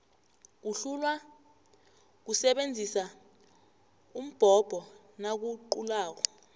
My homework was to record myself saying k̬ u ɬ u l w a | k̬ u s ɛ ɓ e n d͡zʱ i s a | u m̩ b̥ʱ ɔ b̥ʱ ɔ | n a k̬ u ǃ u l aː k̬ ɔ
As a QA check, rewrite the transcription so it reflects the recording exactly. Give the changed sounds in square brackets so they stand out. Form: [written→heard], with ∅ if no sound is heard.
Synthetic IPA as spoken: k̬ u ɬ u l w a | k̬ u s ɛ ɓ e n d͡zʱ i s a | u m̩ b̥ʱ ɔ b̥ʱ ɔ | n a k̬ u ǃ u l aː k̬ ɔ